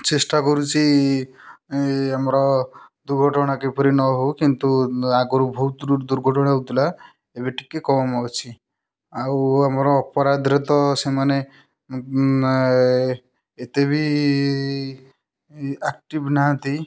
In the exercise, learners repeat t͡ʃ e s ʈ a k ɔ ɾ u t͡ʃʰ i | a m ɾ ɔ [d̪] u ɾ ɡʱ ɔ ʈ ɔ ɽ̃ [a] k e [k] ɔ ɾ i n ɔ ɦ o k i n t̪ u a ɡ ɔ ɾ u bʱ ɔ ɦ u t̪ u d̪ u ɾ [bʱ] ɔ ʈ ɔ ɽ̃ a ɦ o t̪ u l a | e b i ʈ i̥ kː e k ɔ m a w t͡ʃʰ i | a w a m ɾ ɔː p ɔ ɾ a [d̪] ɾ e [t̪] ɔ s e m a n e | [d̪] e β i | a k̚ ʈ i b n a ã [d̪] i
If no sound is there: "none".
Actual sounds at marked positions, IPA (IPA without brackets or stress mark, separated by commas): d̪, a, p, ɡʱ, d̪, t̪, t̪, t̪